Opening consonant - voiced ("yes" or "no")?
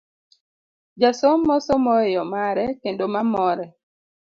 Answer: yes